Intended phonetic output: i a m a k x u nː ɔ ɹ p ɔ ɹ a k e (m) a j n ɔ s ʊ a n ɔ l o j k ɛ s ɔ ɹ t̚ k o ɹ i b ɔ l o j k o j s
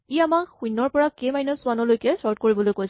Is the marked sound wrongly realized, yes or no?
no